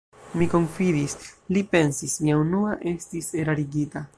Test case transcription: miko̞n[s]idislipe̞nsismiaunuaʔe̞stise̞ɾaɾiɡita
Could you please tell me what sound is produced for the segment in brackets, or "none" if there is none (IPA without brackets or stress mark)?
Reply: f